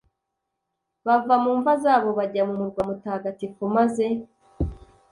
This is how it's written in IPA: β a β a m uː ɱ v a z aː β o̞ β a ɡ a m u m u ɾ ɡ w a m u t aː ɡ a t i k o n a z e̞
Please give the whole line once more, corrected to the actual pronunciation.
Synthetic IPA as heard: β a v a m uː ɱ v a z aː β o̞ β a ɟ a m u m u ɾ ɡ w a m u t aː ɡ a t i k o m a z e̞